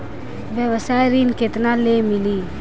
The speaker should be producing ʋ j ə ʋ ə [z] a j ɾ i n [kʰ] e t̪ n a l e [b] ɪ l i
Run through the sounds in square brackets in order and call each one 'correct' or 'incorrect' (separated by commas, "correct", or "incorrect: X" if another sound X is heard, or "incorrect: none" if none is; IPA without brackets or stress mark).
incorrect: s, incorrect: k, incorrect: m